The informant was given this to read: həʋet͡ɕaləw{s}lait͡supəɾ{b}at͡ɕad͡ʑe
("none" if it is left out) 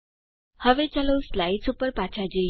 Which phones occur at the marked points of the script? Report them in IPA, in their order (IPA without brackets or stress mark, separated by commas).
s, p